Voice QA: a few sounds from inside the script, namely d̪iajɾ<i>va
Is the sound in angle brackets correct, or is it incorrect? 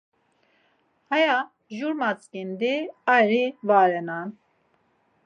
correct